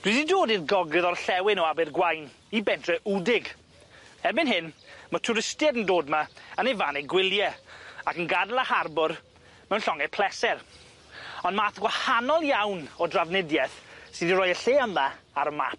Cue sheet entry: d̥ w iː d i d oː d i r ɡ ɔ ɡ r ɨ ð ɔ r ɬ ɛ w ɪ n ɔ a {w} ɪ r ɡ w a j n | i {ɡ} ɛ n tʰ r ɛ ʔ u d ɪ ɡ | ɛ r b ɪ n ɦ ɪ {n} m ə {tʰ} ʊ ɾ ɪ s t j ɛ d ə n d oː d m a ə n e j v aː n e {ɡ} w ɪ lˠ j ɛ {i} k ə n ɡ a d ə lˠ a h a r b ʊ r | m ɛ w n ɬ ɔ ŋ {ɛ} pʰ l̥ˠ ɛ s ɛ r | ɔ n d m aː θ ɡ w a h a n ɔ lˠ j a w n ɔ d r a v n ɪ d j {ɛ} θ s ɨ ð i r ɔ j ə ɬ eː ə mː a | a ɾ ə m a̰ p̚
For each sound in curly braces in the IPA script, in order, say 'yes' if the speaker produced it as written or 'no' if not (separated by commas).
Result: no, no, yes, yes, yes, no, yes, yes